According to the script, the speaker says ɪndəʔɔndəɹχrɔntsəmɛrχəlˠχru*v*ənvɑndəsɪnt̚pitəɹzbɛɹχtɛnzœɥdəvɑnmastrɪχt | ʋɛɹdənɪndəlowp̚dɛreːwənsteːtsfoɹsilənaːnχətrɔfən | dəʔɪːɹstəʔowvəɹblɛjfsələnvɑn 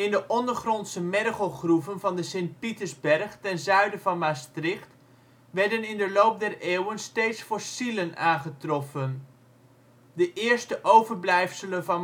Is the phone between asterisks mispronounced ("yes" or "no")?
no